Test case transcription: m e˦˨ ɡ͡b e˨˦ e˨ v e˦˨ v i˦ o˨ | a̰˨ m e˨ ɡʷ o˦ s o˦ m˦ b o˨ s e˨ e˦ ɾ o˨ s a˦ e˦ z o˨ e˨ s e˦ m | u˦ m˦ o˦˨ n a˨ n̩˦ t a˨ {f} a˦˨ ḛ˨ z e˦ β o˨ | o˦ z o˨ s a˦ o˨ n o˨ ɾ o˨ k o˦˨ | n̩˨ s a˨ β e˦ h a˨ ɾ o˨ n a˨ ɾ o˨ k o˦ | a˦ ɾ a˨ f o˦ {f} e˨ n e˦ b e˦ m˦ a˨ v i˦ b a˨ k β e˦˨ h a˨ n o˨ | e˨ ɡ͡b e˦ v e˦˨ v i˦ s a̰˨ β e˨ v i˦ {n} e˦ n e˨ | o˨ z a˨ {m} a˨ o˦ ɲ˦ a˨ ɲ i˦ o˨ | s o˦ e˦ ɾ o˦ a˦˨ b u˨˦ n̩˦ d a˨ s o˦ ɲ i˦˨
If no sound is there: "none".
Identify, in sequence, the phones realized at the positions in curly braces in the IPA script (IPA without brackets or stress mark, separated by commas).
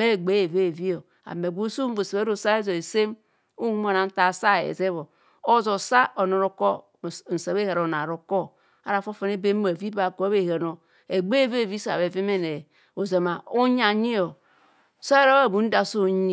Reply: s, f, m, m